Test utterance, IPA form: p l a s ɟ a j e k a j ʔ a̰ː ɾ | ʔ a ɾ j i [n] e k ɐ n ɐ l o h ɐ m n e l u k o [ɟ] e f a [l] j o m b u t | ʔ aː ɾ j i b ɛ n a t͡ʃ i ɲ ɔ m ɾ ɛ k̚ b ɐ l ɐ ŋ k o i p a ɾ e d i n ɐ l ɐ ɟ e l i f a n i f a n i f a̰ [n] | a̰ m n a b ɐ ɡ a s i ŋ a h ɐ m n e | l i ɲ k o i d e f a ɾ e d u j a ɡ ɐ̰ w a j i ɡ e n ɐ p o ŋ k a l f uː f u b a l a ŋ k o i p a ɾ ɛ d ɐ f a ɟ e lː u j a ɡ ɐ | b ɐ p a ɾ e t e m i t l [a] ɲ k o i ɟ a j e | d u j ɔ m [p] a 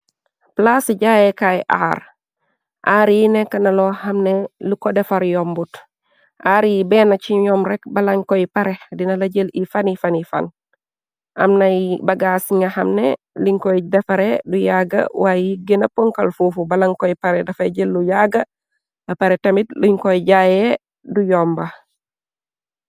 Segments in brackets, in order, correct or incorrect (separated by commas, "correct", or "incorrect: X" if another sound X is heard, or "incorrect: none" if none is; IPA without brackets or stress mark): correct, incorrect: d, incorrect: ɾ, correct, incorrect: i, incorrect: b